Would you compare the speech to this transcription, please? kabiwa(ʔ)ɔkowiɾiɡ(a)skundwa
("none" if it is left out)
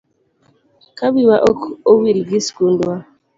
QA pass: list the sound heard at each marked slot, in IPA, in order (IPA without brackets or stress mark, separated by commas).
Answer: ʔ, i